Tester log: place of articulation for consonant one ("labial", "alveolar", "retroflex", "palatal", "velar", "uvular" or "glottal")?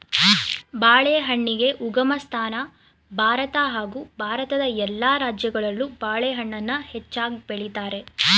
labial